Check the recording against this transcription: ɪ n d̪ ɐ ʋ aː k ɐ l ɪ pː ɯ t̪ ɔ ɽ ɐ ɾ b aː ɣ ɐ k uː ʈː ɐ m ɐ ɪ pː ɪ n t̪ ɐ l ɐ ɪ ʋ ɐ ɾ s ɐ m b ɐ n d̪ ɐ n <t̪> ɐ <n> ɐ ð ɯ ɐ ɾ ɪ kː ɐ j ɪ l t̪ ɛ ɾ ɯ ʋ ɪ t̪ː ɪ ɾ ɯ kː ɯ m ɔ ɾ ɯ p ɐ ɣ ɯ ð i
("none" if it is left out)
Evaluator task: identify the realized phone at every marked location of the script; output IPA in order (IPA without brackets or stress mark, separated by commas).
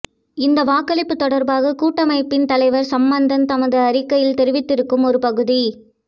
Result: t̪, m